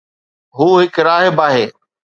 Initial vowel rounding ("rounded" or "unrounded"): rounded